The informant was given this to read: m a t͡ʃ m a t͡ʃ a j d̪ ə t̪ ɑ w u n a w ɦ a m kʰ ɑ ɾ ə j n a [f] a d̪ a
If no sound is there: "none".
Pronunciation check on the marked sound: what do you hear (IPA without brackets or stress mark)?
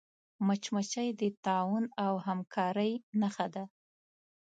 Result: x